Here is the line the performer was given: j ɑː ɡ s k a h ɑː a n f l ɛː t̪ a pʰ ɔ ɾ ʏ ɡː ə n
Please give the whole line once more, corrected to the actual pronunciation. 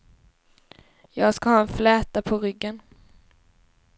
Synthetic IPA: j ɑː ɡ s k a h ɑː ɛ n f l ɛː t̪ a pʰ ɔ ɾ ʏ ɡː ə n